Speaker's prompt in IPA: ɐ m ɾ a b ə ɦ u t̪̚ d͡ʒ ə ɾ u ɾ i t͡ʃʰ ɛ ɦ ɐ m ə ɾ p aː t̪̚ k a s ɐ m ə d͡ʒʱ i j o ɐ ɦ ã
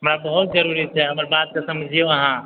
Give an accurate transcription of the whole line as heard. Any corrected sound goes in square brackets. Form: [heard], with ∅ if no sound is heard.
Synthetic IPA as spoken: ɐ m ɾ a b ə ɦ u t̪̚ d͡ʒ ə ɾ u ɾ i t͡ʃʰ ɛ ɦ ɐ m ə ɾ [b] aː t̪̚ k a s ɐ m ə d͡ʒʱ i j o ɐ ɦ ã

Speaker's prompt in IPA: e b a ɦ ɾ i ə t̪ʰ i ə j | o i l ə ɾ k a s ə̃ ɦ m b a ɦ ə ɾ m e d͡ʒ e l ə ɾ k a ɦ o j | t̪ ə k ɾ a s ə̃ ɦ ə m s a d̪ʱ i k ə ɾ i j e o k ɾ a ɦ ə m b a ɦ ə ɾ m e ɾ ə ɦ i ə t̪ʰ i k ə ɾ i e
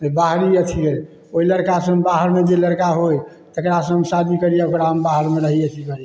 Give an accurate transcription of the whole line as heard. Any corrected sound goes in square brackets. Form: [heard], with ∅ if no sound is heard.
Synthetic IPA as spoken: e b a ɦ ɾ i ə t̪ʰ i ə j | o i l ə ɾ k a s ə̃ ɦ m b a ɦ ə ɾ m e d͡ʒ e l ə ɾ k a ɦ o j | t̪ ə k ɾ a s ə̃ ɦ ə m s a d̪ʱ i k ə ɾ i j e o k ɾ a ɦ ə m b a ɦ ə ɾ m e ɾ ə ɦ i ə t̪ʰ i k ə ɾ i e

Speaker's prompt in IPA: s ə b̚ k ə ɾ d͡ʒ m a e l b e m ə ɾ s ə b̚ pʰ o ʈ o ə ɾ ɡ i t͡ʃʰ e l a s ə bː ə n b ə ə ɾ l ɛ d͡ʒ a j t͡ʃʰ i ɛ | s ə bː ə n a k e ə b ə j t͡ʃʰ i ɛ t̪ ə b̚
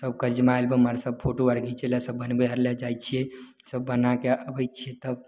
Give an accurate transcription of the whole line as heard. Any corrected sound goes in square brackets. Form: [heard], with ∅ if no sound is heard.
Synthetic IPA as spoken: s ə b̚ k ə ɾ d͡ʒ m a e l b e m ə ɾ s ə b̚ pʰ o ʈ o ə ɾ ɡ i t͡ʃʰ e l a s ə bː ə n b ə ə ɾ l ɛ d͡ʒ a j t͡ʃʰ i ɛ | s ə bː ə n a k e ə b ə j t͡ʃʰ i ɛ t̪ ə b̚

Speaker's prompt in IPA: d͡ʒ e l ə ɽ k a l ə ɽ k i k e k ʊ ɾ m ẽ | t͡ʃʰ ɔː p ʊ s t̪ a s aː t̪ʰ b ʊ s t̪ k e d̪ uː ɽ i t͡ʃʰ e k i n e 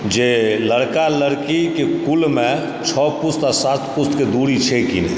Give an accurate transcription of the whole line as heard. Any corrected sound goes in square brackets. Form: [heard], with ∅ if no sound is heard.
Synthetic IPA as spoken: d͡ʒ e l ə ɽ k a l ə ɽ k i k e k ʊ [l] m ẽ | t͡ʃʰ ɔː p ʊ s t̪ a s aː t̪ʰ [p] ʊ s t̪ k e d̪ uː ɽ i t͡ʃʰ e k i n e

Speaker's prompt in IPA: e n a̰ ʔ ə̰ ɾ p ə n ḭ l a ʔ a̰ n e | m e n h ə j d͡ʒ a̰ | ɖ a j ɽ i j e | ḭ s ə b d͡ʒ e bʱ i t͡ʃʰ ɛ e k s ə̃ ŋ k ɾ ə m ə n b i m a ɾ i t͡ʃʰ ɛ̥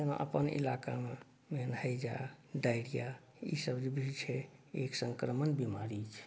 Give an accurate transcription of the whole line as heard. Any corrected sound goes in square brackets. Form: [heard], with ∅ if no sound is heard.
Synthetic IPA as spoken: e n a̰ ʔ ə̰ [∅] p ə n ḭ l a [k] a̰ [m] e | m e n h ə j d͡ʒ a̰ | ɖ a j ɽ i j [a] | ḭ s ə b d͡ʒ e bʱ i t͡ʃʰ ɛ e k s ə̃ ŋ k ɾ ə m ə n b i m a ɾ i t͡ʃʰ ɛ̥

